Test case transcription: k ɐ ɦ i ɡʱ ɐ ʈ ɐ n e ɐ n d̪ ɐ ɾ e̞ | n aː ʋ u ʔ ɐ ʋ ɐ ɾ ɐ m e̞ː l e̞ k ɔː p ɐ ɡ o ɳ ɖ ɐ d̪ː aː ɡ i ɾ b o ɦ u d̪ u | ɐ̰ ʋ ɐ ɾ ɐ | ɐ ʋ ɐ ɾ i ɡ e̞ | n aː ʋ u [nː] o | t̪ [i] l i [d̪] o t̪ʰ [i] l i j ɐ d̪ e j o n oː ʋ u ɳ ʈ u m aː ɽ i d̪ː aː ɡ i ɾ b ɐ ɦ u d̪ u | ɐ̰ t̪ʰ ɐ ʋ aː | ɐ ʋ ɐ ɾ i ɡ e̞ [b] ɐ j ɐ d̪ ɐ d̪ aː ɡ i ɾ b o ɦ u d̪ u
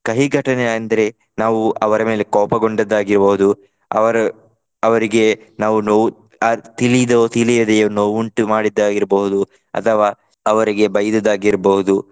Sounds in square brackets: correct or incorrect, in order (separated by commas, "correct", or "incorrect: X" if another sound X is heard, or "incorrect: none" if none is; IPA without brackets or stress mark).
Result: incorrect: n, correct, correct, correct, correct